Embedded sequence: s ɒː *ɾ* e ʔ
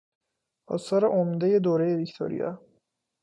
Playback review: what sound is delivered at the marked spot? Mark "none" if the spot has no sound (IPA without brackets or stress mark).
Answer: ɾ